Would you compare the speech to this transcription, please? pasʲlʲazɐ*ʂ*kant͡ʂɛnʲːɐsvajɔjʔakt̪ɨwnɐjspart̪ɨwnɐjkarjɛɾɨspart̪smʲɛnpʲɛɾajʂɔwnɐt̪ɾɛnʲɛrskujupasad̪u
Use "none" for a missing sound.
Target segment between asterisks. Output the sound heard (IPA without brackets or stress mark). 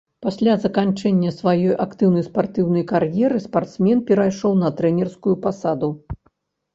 none